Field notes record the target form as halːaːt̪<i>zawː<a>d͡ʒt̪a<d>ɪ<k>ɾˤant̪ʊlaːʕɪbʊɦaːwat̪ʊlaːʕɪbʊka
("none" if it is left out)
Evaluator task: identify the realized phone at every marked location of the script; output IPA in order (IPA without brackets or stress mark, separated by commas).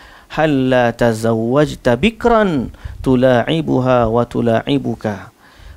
a, a, b, k